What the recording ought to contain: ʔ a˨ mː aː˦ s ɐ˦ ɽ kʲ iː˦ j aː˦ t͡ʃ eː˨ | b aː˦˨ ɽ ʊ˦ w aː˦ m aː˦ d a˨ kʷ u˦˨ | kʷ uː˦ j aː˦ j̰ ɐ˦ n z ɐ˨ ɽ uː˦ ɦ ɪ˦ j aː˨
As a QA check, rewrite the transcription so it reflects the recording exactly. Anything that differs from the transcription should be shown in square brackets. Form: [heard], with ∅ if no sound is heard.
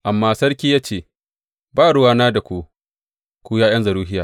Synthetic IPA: ʔ a˨ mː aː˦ s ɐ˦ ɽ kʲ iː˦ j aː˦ t͡ʃ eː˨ | b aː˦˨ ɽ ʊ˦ w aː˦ [n] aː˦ d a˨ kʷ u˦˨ | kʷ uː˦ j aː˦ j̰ ɐ˦ n z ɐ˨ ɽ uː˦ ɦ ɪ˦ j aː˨